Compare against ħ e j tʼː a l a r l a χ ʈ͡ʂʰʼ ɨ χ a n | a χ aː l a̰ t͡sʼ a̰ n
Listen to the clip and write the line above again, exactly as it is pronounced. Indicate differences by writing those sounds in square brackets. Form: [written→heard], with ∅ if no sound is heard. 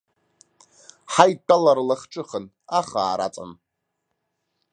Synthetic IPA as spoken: ħ [e→a] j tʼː a l a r l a χ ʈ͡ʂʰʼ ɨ χ [a→ə] n | a χ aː [l→ɾ] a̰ t͡sʼ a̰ n